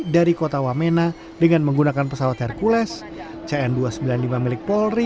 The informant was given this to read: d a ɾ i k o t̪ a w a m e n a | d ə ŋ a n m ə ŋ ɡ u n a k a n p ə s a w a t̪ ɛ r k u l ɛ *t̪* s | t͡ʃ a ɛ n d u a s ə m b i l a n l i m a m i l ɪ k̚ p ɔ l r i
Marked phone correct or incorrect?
incorrect: none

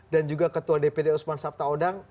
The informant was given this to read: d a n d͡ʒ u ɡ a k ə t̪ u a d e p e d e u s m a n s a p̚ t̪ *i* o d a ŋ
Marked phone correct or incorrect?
incorrect: a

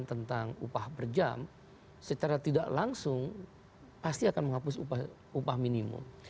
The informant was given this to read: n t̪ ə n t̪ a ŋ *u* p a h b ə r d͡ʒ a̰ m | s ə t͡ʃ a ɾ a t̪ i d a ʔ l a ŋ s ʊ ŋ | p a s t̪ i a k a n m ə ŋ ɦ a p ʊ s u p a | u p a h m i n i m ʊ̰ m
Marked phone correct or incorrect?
correct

